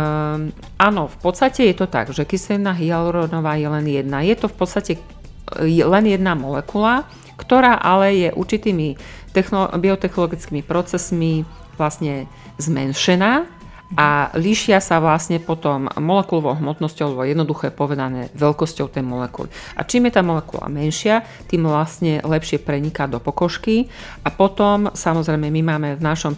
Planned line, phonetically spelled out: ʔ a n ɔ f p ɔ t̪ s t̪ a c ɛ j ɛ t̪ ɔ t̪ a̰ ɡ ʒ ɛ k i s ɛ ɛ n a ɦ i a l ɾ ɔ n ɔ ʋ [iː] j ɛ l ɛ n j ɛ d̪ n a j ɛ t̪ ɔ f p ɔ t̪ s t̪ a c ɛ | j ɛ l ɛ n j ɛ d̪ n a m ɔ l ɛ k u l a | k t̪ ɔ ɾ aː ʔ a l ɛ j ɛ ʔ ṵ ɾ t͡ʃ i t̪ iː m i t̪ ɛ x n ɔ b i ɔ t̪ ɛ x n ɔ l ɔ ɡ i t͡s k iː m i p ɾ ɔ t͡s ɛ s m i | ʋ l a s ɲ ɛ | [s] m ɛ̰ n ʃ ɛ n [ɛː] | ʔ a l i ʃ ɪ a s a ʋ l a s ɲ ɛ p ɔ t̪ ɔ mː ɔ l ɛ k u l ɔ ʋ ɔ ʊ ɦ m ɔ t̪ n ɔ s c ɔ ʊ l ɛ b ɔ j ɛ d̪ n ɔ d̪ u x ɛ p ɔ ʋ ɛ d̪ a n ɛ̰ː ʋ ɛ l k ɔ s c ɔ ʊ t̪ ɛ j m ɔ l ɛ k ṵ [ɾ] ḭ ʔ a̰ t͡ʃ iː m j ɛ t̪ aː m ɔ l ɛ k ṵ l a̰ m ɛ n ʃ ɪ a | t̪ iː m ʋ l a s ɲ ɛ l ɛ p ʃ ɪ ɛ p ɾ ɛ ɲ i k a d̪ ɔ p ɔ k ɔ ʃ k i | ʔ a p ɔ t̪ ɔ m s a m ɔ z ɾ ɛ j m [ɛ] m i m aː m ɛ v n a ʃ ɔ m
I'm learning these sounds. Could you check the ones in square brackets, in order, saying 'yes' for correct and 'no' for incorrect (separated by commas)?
no, no, no, no, yes